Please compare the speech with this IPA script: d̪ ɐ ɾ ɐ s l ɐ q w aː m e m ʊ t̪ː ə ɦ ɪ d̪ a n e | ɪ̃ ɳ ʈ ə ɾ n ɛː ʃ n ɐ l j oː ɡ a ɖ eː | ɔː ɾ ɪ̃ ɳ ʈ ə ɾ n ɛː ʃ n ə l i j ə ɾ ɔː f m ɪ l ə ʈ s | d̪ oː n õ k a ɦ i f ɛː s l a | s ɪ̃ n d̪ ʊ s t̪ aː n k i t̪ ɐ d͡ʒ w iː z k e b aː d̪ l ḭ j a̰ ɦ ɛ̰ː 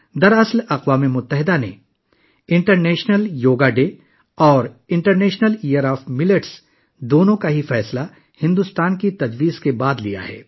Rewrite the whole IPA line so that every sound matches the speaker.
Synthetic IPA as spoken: d̪ ɐ ɾ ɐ s l ɐ q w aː m e m ʊ t̪ː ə ɦ ɪ d̪ a n e | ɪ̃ ɳ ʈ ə ɾ n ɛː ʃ n ə l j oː ɡ a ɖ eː | ɔː ɾ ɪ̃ ɳ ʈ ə ɾ n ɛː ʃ n ə l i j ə ɾ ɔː f m ɪ l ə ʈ s | d̪ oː n õ k a ɦ i f ɛː s l a | h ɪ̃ n d̪ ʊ s t̪ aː n k i t̪ ɐ d͡ʒ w iː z k e b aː d̪ l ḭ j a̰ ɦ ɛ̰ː

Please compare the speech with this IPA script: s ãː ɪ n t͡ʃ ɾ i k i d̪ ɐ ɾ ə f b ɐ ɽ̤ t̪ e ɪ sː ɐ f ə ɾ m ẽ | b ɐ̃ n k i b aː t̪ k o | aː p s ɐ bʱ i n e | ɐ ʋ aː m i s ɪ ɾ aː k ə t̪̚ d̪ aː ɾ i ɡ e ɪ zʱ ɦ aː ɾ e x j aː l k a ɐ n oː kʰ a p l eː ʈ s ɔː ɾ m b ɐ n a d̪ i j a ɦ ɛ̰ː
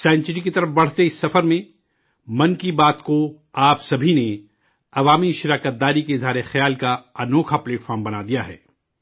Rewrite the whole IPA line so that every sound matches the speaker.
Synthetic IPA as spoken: s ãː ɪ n t͡ʃ ɾ i k i t̪ ɐ ɾ ə f b ɐ ɽ̤ t̪ e ɪ sː ɐ f ə ɾ m ẽ | m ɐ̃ n k i b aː t̪ k o | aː p s ɐ bʱ i n e | ɐ ʋ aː m i ʃ ɪ ɾ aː k ə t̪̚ d̪ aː ɾ i k e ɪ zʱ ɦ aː ɾ e x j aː l k a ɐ n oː kʰ a p l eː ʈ f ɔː ɾ m b ɐ n a d̪ i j a ɦ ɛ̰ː

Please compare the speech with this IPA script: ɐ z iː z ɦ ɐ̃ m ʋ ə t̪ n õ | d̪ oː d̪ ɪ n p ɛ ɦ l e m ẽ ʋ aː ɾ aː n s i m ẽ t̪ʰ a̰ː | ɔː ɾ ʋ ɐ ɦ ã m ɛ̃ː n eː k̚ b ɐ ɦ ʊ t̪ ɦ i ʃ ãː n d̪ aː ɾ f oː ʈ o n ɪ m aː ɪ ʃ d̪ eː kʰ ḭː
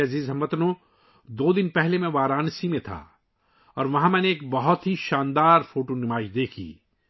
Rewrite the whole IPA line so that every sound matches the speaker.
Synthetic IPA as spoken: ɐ z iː z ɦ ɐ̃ m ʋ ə t̪ n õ | d̪ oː d̪ ɪ n p ɛ ɦ l e m ẽ ʋ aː ɾ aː n s i m ẽ t̪ʰ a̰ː | ɔː ɾ ʋ ɐ ɦ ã m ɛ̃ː n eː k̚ b ɐ ɦ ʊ t̪ ɦ i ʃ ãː n d̪ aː ɾ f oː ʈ o n ɪ m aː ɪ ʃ d̪ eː kʰ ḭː

